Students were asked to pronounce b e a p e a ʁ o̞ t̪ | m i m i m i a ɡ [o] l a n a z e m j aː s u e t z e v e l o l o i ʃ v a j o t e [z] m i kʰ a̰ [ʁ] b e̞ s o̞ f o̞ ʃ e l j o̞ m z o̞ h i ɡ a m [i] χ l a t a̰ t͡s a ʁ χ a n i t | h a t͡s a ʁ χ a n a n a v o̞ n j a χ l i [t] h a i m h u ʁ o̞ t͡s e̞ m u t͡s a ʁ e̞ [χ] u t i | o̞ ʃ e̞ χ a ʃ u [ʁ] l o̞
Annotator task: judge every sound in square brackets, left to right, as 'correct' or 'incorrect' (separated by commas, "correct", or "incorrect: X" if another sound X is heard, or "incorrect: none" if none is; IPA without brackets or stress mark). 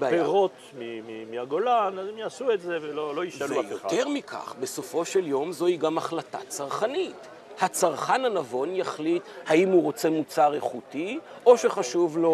correct, incorrect: ʁ, incorrect: χ, incorrect: a, correct, correct, incorrect: v